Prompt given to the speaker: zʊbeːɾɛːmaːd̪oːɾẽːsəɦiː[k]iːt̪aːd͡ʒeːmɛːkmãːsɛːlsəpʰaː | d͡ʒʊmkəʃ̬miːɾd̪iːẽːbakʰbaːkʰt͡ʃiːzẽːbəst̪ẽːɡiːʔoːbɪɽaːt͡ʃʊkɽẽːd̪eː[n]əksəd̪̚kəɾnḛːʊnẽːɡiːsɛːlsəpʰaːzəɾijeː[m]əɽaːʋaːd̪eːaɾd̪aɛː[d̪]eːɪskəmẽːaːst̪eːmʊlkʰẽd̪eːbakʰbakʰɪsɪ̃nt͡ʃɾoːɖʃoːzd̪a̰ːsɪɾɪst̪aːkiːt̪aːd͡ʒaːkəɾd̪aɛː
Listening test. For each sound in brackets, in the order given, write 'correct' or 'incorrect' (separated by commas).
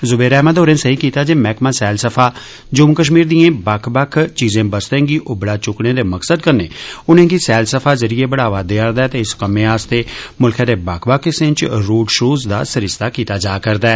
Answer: correct, incorrect, incorrect, incorrect